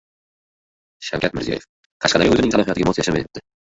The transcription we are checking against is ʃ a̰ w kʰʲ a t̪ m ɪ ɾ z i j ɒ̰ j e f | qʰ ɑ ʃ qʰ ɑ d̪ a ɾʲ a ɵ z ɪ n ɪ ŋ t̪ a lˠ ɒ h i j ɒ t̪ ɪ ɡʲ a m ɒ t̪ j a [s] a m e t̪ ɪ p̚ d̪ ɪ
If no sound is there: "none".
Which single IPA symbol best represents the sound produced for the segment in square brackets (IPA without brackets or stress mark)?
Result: ʃ